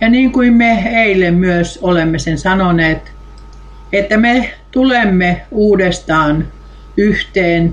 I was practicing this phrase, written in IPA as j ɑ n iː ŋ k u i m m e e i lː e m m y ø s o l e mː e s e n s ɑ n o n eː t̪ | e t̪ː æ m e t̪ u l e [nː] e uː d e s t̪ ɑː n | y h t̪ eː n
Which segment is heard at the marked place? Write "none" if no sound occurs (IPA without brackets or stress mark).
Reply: mː